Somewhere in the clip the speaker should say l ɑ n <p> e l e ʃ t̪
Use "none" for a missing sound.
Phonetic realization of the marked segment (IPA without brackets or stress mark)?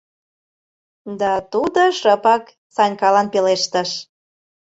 p